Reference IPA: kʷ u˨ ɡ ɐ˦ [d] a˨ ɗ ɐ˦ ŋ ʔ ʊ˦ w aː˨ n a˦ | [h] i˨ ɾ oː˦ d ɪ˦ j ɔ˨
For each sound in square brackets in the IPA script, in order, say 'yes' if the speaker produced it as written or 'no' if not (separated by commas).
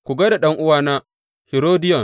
yes, yes